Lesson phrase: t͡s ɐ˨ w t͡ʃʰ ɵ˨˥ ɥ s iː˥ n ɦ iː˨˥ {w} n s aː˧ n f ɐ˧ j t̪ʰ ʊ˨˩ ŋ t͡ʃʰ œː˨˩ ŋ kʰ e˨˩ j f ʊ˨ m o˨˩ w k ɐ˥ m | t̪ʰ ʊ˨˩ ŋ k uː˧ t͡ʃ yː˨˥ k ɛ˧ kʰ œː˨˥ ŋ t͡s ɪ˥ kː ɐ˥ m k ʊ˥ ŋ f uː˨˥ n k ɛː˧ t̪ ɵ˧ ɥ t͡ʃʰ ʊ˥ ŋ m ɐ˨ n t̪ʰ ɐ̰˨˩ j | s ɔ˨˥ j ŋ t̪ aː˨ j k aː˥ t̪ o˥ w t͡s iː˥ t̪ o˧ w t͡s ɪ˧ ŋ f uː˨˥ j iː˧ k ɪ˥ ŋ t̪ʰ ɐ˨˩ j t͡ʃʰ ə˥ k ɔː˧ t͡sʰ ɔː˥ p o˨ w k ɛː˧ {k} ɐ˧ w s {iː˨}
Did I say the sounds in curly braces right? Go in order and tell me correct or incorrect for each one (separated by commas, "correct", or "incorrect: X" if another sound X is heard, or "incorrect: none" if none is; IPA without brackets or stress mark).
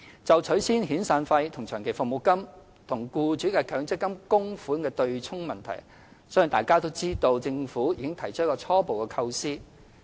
incorrect: none, incorrect: kʰ, incorrect: iː˥